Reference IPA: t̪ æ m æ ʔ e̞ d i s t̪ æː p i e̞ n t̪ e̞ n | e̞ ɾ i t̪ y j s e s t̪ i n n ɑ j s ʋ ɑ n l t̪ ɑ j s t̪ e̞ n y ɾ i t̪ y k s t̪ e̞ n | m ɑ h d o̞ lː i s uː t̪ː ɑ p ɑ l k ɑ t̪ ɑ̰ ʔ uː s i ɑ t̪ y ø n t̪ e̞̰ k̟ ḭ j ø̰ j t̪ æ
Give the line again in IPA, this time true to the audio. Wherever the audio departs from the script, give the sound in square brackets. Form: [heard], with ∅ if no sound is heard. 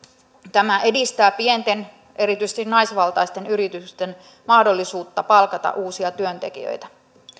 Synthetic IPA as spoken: t̪ æ m æ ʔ e̞ d i s t̪ æː p i e̞ n t̪ e̞ n | e̞ ɾ i t̪ y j s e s t̪ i n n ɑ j s ʋ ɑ [∅] l t̪ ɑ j s t̪ e̞ n y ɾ i t̪ y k s t̪ e̞ n | m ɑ h d o̞ lː i s uː t̪ː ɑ p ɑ l k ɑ t̪ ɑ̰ ʔ uː s i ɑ t̪ y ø n t̪ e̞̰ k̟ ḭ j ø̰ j t̪ æ